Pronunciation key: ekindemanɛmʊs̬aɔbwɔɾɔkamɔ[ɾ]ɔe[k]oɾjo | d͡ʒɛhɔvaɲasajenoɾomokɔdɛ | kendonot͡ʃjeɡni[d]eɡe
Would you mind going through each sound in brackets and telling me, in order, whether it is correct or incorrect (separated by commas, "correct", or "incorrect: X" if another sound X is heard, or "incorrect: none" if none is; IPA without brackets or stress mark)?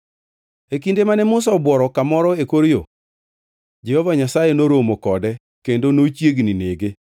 correct, correct, incorrect: n